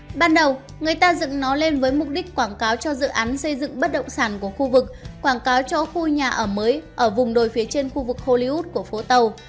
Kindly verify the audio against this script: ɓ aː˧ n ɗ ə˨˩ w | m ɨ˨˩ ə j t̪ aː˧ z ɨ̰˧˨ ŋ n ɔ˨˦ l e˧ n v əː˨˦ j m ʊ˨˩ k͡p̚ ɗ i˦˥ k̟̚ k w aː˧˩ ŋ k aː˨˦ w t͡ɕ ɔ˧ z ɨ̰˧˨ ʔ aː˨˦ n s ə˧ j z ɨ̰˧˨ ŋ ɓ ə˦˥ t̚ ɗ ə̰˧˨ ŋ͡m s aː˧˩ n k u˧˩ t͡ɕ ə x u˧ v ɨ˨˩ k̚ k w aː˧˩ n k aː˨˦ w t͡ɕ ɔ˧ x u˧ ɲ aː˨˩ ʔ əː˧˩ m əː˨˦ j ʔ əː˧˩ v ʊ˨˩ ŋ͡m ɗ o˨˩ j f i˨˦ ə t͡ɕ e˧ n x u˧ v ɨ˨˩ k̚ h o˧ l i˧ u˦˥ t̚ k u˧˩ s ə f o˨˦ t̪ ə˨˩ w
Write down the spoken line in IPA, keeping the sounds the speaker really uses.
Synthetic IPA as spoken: ɓ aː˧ n ɗ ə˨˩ w | ŋ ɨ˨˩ ə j t̪ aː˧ z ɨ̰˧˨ ŋ n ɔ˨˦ l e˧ n v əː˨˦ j m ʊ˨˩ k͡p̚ ɗ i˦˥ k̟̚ k w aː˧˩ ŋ k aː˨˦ w t͡ɕ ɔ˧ z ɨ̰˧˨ ʔ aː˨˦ n s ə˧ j z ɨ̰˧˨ ŋ ɓ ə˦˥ t̚ ɗ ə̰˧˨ ŋ͡m s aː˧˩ n k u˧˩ ə x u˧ v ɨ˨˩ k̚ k w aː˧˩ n k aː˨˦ w t͡ɕ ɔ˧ x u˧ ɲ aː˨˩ ʔ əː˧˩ m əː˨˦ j ʔ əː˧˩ v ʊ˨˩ ŋ͡m ɗ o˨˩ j f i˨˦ ə t͡ɕ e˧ n x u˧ v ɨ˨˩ k̚ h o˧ l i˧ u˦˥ t̚ k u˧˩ ə f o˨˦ t̪ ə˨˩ w